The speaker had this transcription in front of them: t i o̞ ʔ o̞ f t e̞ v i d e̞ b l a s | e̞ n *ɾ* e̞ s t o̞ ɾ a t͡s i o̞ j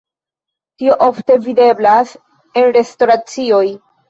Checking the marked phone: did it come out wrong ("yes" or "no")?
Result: no